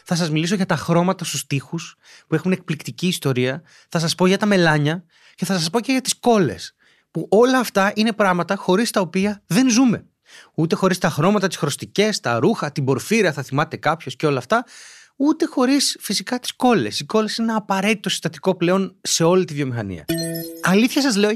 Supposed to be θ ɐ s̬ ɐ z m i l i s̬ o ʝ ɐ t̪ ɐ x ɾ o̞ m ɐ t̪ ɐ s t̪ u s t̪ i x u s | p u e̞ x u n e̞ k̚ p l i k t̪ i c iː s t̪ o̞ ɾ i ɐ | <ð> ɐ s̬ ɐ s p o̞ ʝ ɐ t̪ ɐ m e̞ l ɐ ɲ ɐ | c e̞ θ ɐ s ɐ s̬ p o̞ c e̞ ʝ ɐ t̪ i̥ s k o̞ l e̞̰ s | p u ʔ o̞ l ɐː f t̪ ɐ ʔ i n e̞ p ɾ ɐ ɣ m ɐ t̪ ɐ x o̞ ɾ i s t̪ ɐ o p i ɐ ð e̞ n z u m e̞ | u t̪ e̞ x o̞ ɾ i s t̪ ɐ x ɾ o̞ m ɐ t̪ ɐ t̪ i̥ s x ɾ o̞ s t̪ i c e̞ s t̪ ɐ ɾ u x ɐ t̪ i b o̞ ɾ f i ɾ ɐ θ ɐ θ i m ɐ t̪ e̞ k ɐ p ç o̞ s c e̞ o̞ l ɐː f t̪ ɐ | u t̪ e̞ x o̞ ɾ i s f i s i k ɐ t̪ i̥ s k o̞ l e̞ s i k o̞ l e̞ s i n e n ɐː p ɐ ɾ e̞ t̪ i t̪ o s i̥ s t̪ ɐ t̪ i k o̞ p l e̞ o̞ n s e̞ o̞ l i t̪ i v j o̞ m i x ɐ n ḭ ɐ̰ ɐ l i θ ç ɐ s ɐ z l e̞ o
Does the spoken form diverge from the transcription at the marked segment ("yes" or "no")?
yes